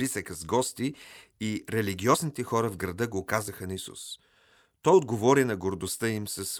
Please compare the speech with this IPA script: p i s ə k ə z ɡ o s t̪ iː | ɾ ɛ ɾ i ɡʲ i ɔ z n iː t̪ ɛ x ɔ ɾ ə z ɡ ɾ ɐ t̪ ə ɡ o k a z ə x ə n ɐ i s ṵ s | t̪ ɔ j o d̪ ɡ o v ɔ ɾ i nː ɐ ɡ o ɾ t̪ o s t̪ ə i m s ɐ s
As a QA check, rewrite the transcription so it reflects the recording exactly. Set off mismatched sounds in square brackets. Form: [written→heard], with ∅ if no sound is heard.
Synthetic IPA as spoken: p i s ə k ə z ɡ [o→ɔ] s t̪ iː | ɾ ɛ [ɾ→l] i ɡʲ i ɔ z n [iː→i] t̪ ɛ x ɔ ɾ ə [z→v] ɡ ɾ ɐ [t̪→d̪] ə ɡ o k a z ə x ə n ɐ i s ṵ s | t̪ ɔ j o d̪ ɡ o v ɔ ɾ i [nː→n] ɐ ɡ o ɾ [t̪→d̪] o s t̪ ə i m s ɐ s